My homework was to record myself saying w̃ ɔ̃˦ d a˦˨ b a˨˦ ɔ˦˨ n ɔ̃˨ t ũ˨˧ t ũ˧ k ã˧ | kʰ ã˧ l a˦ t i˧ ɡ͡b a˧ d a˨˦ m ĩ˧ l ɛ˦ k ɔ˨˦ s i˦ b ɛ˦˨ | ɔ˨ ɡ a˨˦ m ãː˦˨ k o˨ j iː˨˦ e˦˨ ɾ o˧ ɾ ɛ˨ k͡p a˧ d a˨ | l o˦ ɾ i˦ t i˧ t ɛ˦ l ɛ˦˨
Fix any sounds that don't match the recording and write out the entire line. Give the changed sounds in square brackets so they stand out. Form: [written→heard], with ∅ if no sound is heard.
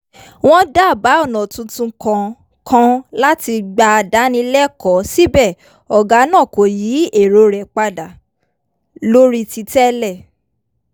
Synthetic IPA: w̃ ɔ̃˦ d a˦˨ b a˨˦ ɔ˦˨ n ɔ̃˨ t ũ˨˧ t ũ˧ k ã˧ | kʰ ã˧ l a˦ t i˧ ɡ͡b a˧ d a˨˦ [m→n] ĩ˧ l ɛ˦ k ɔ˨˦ s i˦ b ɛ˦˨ | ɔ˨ ɡ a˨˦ [m→n] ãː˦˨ k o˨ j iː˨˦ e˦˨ ɾ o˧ ɾ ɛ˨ k͡p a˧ d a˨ | l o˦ ɾ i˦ t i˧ t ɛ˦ l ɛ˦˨